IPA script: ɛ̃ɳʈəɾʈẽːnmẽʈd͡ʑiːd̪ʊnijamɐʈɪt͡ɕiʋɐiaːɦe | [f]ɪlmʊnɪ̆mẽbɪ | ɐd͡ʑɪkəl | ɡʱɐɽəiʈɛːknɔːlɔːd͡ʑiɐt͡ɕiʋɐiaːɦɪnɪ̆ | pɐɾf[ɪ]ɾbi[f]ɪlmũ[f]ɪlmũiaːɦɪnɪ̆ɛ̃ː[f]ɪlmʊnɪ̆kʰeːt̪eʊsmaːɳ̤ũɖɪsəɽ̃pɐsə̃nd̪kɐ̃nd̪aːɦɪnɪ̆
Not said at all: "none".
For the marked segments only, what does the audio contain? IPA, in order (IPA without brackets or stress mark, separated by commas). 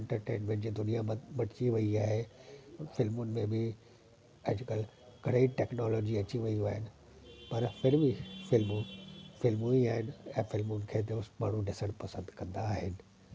f, ɪ, f, f, f